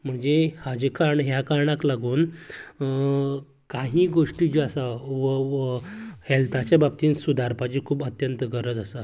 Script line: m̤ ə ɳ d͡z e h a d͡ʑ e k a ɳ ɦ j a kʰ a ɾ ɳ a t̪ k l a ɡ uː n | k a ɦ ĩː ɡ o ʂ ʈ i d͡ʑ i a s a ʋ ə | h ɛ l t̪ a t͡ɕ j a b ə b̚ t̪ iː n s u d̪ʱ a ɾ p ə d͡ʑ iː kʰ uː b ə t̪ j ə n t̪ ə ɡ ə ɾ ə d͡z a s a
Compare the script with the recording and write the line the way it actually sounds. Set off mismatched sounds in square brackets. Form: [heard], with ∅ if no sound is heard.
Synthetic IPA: m̤ ə ɳ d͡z e h a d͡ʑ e k a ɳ ɦ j a [k] a ɾ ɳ a [∅] k l a ɡ uː n | k a ɦ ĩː ɡ o ʂ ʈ i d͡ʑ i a s a ʋ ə | h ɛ l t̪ a t͡ɕ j a b [a] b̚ t̪ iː n s u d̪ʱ a ɾ p [a] d͡ʑ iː kʰ uː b ə t̪ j ə n t̪ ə ɡ ə ɾ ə d͡z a s a